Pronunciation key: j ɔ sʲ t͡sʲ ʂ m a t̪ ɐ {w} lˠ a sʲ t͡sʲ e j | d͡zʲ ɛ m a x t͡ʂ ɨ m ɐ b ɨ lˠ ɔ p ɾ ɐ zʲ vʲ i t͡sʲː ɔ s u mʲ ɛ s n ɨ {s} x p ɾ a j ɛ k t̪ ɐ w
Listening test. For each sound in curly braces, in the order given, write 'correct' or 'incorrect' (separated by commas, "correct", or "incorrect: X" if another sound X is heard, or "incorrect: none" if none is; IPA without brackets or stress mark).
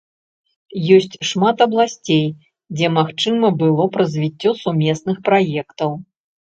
incorrect: b, incorrect: none